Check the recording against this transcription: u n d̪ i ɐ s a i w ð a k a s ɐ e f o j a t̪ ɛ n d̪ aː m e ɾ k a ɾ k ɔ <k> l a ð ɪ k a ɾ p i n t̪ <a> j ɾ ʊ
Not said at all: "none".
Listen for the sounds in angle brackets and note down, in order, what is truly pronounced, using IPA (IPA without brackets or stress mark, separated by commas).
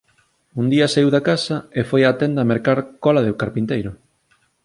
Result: none, e